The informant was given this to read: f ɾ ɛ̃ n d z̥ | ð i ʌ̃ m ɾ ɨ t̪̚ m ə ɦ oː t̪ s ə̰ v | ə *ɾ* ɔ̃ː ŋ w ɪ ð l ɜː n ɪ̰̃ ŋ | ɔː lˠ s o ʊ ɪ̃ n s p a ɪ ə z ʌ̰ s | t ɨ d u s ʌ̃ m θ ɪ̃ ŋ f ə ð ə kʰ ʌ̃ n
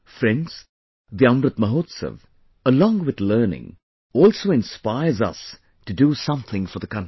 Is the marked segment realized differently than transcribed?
yes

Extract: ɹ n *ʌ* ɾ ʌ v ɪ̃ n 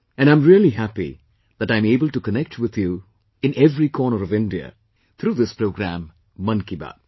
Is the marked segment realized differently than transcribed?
yes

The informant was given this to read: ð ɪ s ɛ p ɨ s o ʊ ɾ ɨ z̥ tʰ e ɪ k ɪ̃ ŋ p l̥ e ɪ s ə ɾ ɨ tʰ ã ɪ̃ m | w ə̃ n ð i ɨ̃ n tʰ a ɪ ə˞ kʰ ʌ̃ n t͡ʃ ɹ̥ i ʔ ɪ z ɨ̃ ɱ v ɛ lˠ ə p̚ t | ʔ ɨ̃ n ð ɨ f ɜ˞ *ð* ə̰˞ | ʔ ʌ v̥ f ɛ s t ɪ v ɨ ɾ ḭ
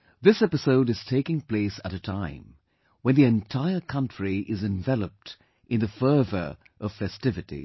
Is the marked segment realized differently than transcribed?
yes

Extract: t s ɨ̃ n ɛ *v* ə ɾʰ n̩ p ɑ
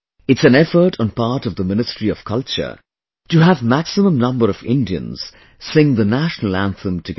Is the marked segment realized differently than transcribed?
yes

